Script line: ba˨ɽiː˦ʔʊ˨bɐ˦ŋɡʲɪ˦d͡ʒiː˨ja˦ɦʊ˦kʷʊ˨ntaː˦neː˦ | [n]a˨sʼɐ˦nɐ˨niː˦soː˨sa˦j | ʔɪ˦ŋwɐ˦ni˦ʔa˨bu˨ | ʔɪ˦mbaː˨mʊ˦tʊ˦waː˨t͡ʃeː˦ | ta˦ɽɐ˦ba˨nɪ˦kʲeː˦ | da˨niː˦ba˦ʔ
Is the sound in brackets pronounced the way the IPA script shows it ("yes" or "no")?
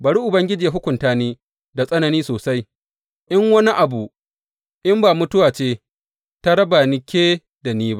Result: no